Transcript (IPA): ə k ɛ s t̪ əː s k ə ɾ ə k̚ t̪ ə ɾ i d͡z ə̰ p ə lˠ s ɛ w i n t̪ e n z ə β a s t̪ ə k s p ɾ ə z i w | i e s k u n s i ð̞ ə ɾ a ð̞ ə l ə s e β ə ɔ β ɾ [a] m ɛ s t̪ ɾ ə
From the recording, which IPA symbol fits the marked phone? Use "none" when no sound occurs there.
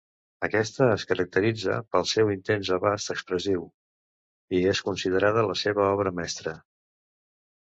ə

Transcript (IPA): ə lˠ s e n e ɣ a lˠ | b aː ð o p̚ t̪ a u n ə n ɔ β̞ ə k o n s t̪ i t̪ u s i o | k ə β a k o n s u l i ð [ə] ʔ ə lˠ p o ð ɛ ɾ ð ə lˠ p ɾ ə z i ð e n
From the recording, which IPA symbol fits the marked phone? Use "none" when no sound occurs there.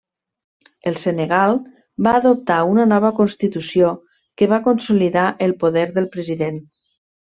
a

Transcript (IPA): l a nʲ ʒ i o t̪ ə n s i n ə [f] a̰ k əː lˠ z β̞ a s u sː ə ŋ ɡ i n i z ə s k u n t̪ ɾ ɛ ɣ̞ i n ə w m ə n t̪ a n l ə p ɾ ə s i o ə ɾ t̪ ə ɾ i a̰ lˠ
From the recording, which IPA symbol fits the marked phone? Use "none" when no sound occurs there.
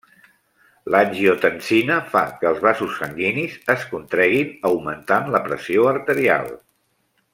f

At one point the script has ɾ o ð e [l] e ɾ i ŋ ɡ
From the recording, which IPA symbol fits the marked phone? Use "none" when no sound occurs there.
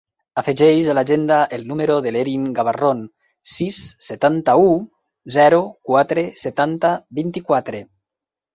l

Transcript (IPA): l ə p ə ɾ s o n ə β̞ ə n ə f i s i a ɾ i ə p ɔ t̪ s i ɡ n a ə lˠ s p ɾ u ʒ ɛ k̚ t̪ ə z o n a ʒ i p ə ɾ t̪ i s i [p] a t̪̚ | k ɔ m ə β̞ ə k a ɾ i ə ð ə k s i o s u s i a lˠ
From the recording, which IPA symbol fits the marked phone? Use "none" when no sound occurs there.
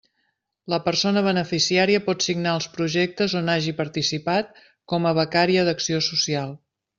p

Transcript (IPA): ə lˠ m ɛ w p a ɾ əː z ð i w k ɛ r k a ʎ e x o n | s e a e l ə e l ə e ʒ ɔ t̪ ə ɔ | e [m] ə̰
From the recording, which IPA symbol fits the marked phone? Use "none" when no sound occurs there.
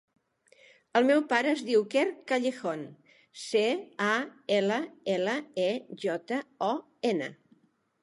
n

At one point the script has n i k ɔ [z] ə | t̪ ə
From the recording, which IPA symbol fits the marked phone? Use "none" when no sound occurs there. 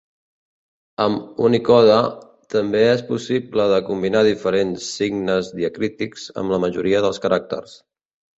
ð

